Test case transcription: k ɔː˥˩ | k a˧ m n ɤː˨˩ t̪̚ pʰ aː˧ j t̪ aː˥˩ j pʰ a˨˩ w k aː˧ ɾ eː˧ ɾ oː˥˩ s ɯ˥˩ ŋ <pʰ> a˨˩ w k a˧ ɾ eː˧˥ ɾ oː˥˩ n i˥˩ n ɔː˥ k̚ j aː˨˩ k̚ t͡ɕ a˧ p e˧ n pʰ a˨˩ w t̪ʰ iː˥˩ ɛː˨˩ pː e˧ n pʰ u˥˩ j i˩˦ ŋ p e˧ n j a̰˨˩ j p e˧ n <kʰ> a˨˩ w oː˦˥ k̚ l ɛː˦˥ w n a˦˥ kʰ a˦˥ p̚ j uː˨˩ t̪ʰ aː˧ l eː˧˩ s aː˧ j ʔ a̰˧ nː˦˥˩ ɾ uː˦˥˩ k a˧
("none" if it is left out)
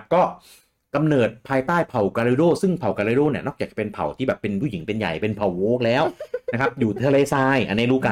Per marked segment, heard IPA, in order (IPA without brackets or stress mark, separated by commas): pʰ, pʰ